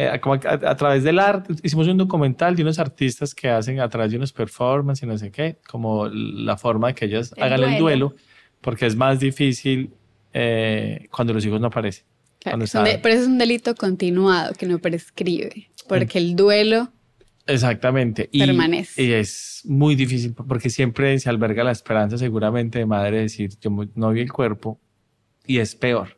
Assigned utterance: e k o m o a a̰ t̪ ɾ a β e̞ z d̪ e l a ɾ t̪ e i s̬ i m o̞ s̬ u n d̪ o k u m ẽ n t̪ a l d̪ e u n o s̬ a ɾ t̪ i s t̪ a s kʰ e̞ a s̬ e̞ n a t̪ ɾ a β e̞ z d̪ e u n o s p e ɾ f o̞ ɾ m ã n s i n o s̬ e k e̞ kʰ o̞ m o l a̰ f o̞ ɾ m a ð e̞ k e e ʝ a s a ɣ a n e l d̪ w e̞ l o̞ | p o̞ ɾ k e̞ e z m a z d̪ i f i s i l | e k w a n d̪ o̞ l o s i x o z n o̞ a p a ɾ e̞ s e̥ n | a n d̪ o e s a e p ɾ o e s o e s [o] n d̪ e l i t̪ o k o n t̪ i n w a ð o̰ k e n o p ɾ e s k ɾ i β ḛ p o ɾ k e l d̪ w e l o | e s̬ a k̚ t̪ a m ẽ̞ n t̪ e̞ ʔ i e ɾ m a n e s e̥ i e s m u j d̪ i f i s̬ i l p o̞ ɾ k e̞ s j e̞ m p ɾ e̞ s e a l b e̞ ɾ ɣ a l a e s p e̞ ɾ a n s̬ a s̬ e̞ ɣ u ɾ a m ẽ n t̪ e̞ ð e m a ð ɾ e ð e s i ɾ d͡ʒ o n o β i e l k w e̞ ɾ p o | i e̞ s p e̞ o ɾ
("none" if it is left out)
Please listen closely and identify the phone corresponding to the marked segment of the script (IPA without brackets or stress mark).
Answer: u